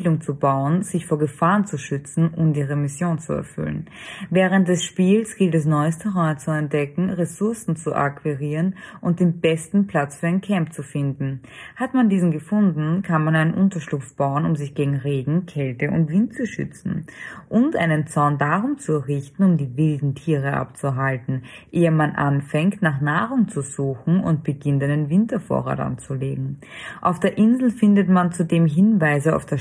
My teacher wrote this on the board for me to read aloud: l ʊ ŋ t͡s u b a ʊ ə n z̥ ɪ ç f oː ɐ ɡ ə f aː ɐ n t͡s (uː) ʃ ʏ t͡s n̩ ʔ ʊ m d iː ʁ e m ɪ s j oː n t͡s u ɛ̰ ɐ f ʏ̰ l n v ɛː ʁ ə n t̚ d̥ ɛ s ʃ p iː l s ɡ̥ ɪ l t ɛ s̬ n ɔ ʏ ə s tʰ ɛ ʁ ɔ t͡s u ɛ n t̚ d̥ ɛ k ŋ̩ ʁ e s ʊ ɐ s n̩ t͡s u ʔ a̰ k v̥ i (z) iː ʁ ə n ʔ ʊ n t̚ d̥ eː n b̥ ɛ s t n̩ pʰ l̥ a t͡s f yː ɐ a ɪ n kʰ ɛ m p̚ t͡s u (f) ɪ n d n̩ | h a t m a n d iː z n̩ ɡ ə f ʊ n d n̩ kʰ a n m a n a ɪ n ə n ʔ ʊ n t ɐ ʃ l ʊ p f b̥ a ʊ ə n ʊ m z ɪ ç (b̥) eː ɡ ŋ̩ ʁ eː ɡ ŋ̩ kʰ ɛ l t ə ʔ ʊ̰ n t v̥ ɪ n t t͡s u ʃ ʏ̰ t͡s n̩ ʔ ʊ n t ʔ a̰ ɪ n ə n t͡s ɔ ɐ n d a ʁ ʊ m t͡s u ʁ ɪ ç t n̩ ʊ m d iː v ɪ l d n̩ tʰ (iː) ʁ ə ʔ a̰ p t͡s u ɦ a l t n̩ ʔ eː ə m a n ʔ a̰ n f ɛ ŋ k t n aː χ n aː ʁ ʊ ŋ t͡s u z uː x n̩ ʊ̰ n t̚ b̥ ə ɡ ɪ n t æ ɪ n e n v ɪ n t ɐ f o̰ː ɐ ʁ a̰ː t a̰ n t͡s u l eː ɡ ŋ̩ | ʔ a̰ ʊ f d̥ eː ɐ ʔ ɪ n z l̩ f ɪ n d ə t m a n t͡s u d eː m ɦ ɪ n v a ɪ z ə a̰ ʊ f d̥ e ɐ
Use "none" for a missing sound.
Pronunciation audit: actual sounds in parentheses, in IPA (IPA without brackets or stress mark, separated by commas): u, ʁ, f, ɡ̥, iː